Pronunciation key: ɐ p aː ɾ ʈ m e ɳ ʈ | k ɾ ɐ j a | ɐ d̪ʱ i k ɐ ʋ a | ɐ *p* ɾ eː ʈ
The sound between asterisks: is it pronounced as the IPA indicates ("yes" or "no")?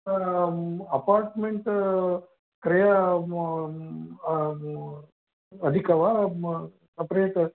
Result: yes